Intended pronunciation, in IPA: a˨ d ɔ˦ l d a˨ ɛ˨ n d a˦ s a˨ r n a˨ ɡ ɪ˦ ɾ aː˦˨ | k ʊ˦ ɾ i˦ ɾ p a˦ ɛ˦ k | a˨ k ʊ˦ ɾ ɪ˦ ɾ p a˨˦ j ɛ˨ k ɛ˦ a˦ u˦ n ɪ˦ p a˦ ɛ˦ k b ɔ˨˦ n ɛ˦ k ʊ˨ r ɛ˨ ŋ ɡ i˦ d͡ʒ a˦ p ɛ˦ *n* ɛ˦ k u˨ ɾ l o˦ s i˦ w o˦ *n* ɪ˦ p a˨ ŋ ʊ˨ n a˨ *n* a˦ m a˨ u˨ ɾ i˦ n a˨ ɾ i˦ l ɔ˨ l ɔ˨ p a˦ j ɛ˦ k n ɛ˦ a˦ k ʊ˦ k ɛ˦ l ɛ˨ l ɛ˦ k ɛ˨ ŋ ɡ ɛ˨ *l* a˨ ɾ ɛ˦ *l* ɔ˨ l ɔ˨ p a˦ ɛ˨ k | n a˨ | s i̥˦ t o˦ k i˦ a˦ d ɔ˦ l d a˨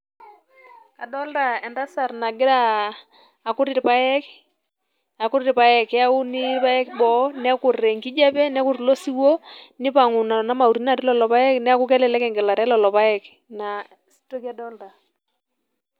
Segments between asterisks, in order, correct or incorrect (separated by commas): correct, correct, correct, correct, correct